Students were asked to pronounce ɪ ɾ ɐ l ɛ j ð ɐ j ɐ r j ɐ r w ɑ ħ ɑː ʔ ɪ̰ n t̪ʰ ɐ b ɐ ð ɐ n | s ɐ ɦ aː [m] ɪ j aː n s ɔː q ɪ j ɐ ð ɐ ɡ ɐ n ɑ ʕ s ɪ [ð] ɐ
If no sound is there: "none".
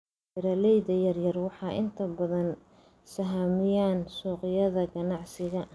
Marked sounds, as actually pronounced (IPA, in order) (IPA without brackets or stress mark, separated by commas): m, ɣ